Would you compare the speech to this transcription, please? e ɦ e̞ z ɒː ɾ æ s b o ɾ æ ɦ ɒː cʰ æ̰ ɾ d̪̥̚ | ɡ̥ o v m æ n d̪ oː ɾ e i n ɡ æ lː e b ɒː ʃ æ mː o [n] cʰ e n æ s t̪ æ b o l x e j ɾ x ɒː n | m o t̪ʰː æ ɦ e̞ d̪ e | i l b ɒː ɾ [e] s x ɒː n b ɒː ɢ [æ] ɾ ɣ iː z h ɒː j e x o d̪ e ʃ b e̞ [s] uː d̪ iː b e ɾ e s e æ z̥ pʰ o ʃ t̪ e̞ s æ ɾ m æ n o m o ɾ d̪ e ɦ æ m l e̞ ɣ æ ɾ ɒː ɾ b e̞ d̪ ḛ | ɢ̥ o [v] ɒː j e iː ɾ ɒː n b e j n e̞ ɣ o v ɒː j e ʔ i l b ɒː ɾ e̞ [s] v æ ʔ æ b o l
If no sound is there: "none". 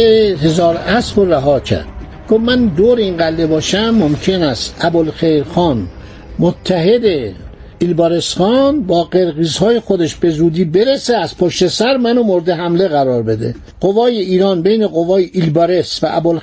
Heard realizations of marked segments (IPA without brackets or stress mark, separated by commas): m, e, e, z, v, s